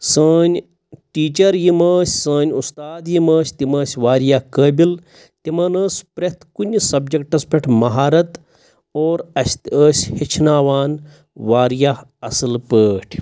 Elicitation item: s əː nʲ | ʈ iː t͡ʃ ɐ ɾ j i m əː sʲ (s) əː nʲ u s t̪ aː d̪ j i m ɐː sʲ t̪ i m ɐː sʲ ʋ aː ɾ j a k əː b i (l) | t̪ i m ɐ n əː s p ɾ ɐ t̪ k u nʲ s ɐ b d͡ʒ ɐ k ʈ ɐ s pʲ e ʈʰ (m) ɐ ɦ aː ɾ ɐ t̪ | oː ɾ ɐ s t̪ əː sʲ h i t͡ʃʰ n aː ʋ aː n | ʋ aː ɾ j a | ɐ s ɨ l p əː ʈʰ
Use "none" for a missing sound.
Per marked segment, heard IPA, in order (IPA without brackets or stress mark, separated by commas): s, l, m